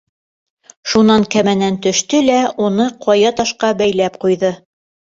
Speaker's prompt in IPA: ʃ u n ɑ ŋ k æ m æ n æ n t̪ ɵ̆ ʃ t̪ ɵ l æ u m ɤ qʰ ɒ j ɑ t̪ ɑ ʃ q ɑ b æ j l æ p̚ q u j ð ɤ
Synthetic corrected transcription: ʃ u n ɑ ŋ k æ m æ n æ n t̪ ɵ̆ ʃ t̪ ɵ l æ u n ɤ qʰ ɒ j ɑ t̪ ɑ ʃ q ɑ b æ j l æ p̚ q u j ð ɤ